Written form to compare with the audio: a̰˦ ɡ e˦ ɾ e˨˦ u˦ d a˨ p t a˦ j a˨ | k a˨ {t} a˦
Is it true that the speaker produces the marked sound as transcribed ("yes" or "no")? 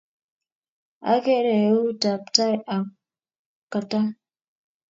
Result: yes